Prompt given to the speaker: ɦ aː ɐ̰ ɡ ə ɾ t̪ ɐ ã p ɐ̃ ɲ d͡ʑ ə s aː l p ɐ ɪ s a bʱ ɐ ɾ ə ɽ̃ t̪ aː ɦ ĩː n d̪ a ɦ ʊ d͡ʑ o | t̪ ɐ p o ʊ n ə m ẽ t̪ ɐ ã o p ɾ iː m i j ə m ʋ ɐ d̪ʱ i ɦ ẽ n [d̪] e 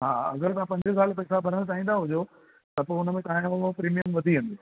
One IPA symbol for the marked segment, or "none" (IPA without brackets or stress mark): d̪